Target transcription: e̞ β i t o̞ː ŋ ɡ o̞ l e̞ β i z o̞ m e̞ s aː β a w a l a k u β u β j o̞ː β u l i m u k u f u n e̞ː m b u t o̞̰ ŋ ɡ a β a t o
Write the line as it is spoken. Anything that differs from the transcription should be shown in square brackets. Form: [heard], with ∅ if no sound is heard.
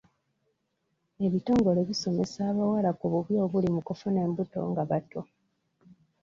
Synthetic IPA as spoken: e̞ β i t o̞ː ŋ ɡ o̞ l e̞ β i [s] o̞ m e̞ s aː β a w a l a k u β u β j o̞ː β u l i m u k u f u n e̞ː m b u t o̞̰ ŋ ɡ a β a t o